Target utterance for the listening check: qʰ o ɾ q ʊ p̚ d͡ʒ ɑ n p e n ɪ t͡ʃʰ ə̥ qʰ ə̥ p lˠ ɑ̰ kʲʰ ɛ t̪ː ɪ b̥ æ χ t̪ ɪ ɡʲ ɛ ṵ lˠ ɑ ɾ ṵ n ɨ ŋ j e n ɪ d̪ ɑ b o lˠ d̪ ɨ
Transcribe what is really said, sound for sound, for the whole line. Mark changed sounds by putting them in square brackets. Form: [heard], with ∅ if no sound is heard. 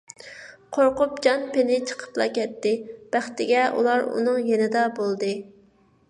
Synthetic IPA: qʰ o ɾ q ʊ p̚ d͡ʒ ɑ n p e n ɪ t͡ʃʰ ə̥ qʰ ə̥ p lˠ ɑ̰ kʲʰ ɛ t̪ː ɪ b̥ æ χ t̪ ɪ ɡʲ ɛ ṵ lˠ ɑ ɾ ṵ n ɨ ŋ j e n ɪ d̪ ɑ b o lˠ d̪ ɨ